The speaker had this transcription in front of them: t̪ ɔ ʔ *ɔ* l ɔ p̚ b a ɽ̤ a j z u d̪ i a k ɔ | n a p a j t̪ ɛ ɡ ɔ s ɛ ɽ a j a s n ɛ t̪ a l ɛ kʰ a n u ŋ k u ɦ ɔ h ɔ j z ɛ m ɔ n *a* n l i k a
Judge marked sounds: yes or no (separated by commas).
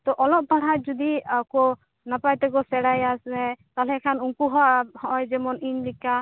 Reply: yes, no